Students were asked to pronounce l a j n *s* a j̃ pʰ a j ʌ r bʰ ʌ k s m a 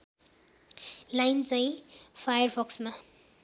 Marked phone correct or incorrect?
incorrect